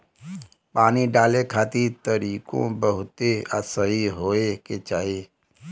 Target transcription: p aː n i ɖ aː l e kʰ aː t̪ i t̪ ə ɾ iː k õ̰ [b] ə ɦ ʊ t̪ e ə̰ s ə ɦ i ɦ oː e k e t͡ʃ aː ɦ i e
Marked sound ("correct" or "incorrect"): correct